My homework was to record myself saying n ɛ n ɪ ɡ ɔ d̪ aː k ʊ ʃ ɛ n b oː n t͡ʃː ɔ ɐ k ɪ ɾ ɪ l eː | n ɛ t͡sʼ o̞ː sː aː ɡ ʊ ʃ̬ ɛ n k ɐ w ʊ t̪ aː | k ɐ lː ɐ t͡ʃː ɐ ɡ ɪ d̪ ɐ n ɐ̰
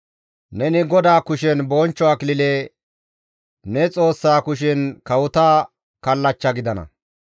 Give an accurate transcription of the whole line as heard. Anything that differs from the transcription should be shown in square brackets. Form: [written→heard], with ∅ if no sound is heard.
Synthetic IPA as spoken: n ɛ n ɪ ɡ ɔ d̪ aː k ʊ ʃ ɛ n b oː n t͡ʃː ɔ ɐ k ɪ [ɾ→l] ɪ l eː | n ɛ t͡sʼ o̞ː sː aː [ɡ→k] ʊ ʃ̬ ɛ n k ɐ w ʊ t̪ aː | k ɐ lː ɐ t͡ʃː ɐ ɡ ɪ d̪ ɐ n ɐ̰